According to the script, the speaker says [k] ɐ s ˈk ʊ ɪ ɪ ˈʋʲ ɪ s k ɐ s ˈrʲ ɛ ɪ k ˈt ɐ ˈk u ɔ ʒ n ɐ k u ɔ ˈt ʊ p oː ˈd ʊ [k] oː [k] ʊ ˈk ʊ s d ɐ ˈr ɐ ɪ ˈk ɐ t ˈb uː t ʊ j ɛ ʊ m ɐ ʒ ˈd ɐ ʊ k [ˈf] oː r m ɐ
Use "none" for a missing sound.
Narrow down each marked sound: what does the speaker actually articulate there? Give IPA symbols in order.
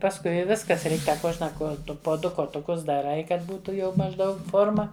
p, k, t, f

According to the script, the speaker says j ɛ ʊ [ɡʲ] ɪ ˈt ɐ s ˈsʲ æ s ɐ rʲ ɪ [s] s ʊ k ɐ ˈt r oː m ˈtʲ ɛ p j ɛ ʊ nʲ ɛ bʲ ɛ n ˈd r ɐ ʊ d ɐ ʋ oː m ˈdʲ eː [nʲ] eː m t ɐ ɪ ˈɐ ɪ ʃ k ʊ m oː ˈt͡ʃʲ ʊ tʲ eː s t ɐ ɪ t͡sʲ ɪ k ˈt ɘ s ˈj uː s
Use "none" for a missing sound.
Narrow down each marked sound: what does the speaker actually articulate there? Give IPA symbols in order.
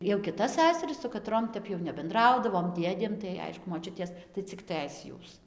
kʲ, s, dʲ

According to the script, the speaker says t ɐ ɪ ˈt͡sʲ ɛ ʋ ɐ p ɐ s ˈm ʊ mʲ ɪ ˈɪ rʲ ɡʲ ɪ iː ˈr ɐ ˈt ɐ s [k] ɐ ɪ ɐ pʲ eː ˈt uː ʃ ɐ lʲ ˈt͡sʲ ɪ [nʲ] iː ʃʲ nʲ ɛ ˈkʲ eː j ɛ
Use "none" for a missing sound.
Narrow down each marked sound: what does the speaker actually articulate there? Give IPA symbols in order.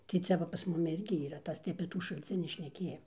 t, nʲ

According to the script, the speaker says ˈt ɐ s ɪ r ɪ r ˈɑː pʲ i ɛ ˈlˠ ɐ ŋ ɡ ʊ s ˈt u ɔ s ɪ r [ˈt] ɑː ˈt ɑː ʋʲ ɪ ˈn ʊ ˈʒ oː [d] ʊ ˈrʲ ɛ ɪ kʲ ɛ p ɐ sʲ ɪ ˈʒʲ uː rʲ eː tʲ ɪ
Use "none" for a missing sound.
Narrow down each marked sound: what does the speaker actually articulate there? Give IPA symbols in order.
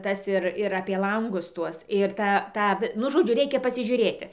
t, d͡ʒʲ

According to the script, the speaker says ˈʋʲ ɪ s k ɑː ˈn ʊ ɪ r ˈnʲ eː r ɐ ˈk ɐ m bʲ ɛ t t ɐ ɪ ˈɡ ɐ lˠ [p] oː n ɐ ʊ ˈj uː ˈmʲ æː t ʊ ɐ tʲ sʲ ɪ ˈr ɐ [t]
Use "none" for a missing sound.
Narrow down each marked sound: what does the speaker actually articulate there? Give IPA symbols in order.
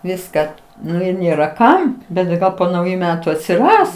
p, s

